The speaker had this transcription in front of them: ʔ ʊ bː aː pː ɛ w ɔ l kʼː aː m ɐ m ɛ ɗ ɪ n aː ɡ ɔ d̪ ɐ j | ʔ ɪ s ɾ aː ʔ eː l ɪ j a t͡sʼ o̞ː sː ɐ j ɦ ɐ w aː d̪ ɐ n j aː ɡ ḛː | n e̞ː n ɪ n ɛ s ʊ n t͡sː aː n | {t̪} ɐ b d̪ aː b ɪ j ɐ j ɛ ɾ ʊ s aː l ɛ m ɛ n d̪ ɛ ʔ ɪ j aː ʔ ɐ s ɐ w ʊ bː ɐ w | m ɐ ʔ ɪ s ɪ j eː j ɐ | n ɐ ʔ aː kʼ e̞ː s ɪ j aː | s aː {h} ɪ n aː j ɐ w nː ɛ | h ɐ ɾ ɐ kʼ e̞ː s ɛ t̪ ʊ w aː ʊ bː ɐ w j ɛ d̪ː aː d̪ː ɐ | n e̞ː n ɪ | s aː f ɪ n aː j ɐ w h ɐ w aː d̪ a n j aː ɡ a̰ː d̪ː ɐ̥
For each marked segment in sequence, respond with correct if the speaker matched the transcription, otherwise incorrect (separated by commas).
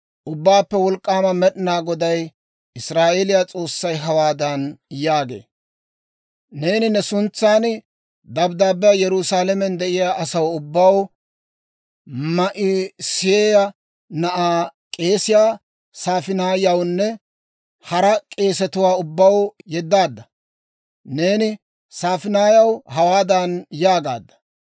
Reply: incorrect, incorrect